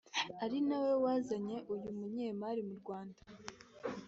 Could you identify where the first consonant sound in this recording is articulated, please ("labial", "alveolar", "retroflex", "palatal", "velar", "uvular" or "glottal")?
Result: alveolar